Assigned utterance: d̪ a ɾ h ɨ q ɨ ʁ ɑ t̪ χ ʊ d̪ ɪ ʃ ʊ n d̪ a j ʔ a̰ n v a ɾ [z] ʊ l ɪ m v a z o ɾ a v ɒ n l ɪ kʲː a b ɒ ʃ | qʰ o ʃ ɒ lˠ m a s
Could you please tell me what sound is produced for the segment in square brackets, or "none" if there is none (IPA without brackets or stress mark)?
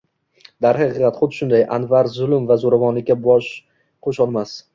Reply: z